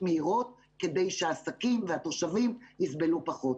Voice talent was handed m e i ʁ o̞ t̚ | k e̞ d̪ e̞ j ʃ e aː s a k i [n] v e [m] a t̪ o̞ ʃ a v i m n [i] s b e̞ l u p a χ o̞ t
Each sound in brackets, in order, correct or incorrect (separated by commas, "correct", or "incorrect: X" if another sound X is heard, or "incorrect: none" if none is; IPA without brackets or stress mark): incorrect: m, incorrect: none, correct